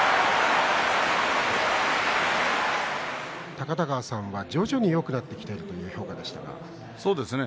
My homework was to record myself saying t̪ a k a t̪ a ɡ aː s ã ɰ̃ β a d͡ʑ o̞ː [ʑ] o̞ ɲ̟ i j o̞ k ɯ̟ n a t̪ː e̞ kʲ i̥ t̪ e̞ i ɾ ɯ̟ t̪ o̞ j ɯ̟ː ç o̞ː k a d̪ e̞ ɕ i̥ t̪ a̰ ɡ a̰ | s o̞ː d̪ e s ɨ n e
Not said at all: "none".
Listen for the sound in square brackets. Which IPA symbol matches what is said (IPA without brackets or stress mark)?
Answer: ʑ